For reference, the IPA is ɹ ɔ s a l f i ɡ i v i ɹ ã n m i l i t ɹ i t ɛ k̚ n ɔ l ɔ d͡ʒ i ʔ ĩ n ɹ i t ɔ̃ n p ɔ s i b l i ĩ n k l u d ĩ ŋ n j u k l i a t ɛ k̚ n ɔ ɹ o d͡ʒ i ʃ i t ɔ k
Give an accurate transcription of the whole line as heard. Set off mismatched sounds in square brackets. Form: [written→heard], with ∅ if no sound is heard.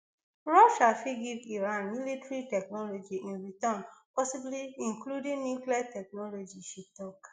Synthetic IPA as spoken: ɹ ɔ [s→ʃ] a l f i ɡ i v i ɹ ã n m i l i t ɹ i t ɛ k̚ n ɔ l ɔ d͡ʒ i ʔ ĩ n ɹ i t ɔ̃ n p ɔ s i b l i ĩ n k l u d ĩ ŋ n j u k l i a t ɛ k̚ n ɔ [ɹ→l] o d͡ʒ i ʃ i t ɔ k